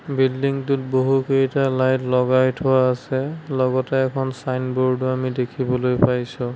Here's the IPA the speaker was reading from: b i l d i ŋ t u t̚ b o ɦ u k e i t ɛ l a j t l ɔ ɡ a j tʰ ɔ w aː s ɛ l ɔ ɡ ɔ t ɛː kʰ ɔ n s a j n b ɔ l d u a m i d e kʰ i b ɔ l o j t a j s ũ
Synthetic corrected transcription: b i l d i ŋ t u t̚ b o ɦ u k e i t a l a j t l ɔ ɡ a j tʰ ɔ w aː s ɛ l ɔ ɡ ɔ t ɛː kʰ ɔ n s a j n b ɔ ɹ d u a m i d e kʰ i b ɔ l o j p a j s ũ